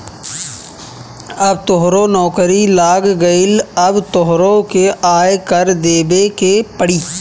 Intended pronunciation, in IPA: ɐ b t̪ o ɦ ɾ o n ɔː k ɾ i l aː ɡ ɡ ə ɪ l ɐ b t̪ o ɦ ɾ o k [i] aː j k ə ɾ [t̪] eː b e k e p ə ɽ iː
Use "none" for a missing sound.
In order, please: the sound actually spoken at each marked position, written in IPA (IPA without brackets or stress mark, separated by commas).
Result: e, d̪